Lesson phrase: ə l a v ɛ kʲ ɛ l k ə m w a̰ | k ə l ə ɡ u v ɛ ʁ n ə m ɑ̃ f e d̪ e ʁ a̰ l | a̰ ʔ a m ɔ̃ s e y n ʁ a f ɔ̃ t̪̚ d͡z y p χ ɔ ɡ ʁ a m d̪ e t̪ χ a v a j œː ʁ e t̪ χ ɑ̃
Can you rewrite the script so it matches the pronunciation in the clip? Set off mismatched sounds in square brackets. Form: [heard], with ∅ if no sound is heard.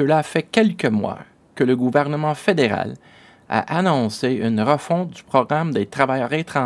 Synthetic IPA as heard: ə l a [f] ɛ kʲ ɛ l k ə m w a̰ | k ə l ə ɡ u v ɛ ʁ n ə m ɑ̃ f e d̪ e ʁ a̰ l | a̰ ʔ a [n] ɔ̃ s e y n ʁ [ə] f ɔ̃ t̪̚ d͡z y p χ ɔ ɡ ʁ a m d̪ e t̪ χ a v a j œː ʁ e t̪ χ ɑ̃

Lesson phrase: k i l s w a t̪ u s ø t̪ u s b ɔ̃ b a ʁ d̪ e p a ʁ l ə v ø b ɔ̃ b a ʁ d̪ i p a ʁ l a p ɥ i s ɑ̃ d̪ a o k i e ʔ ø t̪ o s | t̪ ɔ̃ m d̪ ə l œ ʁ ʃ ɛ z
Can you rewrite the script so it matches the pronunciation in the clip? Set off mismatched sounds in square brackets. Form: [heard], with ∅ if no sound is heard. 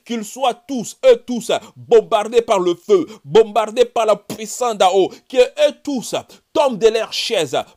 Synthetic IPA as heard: k i l s w a t̪ u s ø t̪ u s b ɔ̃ b a ʁ d̪ e p a ʁ l ə [f] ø b ɔ̃ b a ʁ d̪ [e] p a ʁ l a p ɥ i s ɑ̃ d̪ a o k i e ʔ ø t̪ [u] s | t̪ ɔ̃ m d̪ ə l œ ʁ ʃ ɛ z

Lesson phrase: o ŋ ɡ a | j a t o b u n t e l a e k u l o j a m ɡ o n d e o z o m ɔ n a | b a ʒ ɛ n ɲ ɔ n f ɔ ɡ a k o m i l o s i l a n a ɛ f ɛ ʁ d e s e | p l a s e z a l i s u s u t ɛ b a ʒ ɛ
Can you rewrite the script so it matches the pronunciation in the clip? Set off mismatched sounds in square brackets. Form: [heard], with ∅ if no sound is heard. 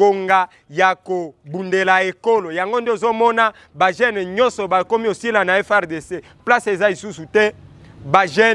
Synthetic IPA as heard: o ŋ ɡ a | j a [k] o b u n [d] e l a e k [o] l o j a [ŋ] ɡ o n d e o z o m ɔ n a | b a ʒ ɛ n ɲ ɔ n [s] ɔ [b] a k o m i [∅] o s i l a n a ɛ f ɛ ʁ d e s e | p l a s e z a l i s u s u t ɛ b a ʒ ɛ

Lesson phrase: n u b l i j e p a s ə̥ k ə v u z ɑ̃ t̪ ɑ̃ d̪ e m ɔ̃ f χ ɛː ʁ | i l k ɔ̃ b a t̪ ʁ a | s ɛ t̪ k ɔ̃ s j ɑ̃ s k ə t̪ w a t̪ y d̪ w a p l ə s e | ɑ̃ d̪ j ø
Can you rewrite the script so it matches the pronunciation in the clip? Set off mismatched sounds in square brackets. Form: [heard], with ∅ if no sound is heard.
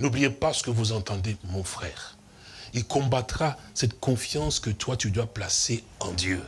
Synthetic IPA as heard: n u b l i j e p a s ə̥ k ə v u z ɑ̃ t̪ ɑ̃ d̪ e m ɔ̃ f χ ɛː ʁ | i l k ɔ̃ b a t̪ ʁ a | s ɛ t̪ k ɔ̃ [f] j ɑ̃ s k ə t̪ w a t̪ y d̪ w a p l [a] s e | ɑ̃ d̪ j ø

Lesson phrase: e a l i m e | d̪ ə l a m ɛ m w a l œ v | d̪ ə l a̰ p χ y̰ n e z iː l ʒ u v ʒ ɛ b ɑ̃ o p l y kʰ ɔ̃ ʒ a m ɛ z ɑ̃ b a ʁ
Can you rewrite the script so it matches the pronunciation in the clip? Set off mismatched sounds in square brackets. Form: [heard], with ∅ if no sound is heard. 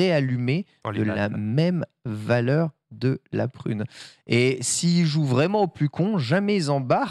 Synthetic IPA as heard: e a l [y] m e | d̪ ə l a m ɛ m [v] a l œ [ʁ] | d̪ ə l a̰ p χ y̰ n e [s] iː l ʒ u v [ʁ] ɛ [m] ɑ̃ o p l y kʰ ɔ̃ ʒ a m ɛ z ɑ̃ b a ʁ

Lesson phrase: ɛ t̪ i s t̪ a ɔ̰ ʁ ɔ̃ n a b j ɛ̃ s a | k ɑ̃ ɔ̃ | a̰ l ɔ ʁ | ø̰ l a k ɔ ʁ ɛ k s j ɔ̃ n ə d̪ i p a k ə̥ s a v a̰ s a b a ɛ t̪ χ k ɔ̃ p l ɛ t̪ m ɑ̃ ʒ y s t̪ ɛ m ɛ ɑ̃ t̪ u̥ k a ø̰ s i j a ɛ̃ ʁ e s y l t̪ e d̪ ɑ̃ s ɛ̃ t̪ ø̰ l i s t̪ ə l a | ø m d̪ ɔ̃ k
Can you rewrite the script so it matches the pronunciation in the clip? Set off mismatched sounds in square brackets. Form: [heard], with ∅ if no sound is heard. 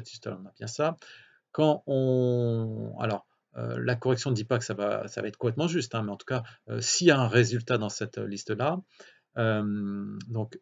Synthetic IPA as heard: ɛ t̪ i s t̪ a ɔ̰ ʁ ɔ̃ n a b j ɛ̃ s a | k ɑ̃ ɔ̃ | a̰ l ɔ ʁ | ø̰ l a k ɔ ʁ ɛ k s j ɔ̃ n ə d̪ i p a k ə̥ s a v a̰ s a [v] a ɛ t̪ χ k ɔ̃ p l ɛ t̪ m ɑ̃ ʒ y s t̪ [ɛ̃] m ɛ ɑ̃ t̪ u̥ k a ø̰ s i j a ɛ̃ ʁ e [z] y l t̪ [a] d̪ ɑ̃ s [ɛ] t̪ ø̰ l i s t̪ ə l a | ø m d̪ ɔ̃ k

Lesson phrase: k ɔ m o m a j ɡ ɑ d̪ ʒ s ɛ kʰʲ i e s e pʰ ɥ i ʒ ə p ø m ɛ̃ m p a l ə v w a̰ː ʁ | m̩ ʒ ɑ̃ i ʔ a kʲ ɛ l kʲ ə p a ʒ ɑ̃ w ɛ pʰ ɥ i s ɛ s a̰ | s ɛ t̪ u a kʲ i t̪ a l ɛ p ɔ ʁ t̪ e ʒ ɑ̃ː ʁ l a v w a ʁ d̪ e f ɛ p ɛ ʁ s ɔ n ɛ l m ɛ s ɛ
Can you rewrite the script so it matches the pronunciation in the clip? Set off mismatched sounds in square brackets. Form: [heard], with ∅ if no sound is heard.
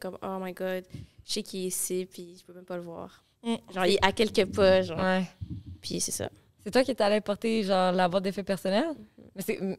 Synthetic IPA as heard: k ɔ m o m a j ɡ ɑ d̪ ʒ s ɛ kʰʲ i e s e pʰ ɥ i ʒ ə p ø m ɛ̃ m p a l ə v w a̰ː ʁ | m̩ ʒ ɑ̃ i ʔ a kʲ ɛ l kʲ ə p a ʒ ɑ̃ w ɛ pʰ ɥ i s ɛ s a̰ | s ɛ t̪ [w] a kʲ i t̪ a l ɛ p ɔ ʁ t̪ e ʒ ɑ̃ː ʁ l a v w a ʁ d̪ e f ɛ p ɛ ʁ s ɔ n ɛ l m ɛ s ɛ

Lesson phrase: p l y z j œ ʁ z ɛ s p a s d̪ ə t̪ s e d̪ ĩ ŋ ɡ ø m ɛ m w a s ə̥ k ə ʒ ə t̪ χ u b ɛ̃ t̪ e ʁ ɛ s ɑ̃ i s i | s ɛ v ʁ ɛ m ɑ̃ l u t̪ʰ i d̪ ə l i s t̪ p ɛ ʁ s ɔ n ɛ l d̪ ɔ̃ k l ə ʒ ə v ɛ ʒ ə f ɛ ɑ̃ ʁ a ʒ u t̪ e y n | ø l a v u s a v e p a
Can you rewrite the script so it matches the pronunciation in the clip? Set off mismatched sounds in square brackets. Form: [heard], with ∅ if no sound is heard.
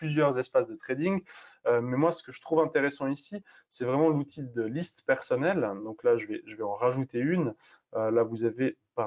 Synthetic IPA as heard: p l y z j œ ʁ z ɛ s p a s d̪ ə t̪ [χ] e d̪ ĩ ŋ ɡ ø m ɛ m w a s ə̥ k ə ʒ ə t̪ χ u [v] ɛ̃ t̪ e ʁ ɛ s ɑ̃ i s i | s ɛ v ʁ ɛ m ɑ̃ l u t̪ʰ i d̪ ə l i s t̪ p ɛ ʁ s ɔ n ɛ l d̪ ɔ̃ k l [a] ʒ ə v ɛ ʒ ə [v] ɛ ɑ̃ ʁ a ʒ u t̪ e y n | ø l a v u [z] a v e p a

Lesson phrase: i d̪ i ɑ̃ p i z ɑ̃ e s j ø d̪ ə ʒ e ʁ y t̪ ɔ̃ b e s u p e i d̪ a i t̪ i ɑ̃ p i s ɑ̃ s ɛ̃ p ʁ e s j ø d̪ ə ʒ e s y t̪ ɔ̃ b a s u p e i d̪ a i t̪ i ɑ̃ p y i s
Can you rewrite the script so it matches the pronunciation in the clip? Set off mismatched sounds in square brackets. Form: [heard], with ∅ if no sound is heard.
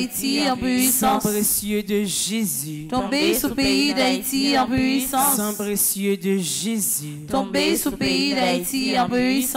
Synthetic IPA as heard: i [t̪] i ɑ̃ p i [s] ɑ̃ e s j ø d̪ ə ʒ e [z] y t̪ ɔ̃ b e s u p e i d̪ a i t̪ i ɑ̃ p i s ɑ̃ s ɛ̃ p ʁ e s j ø d̪ ə ʒ e [z] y t̪ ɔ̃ b [e] s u p e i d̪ a i t̪ i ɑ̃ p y i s

